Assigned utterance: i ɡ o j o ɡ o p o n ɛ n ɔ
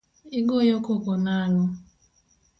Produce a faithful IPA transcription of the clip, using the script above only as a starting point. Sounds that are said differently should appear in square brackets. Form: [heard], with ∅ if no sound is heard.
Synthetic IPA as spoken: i ɡ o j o [k] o [k] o n [a] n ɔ